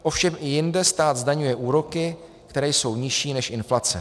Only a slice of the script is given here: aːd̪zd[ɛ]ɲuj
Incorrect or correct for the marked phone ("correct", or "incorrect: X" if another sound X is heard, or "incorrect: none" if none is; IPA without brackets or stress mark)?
incorrect: a